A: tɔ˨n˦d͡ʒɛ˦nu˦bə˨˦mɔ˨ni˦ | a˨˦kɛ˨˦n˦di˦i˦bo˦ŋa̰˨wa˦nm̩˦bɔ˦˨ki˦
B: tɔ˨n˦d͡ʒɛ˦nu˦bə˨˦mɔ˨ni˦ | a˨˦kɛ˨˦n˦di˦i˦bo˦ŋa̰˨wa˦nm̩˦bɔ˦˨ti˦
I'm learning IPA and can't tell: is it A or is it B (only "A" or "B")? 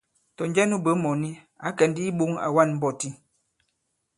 B